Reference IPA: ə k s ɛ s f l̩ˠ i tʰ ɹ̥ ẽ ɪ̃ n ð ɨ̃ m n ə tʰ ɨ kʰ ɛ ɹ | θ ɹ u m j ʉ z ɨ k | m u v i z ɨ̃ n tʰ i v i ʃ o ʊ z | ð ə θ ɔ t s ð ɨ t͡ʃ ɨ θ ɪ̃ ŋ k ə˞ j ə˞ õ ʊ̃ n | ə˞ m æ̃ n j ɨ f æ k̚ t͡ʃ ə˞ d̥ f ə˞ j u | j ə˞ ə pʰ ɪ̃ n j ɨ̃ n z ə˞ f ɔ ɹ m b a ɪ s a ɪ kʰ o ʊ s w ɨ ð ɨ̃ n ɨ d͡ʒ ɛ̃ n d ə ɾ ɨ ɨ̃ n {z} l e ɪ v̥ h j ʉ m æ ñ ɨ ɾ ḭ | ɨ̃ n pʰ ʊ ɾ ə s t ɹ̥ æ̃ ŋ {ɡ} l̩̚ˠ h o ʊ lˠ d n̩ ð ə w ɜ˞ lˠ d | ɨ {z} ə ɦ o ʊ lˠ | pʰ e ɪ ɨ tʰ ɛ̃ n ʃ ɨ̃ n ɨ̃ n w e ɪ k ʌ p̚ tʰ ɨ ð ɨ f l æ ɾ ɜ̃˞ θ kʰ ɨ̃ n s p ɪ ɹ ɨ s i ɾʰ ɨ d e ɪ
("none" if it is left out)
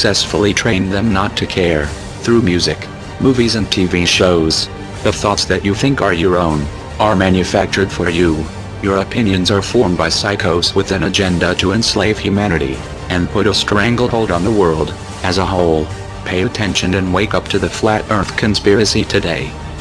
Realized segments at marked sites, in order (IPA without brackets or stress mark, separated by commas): s, ɡ, z